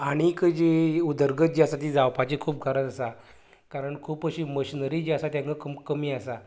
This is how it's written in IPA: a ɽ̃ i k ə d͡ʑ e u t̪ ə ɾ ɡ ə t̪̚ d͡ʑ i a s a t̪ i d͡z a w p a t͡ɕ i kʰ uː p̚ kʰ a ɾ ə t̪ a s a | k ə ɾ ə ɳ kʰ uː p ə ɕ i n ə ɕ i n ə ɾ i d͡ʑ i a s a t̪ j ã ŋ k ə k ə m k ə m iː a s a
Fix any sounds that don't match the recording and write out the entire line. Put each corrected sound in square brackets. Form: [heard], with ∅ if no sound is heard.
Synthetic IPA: a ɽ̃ i k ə d͡ʑ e u [d̪] ə ɾ ɡ ə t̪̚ d͡ʑ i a s a t̪ i d͡z a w p a t͡ɕ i kʰ uː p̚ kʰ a ɾ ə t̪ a s a | k [a] ɾ ə ɳ kʰ uː p ə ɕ i [m] ə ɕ i n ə ɾ i d͡ʑ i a s a t̪ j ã ŋ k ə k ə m k ə m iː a s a